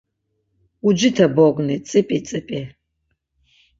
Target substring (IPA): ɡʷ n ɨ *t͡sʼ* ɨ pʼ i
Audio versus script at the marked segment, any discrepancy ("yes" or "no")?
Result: no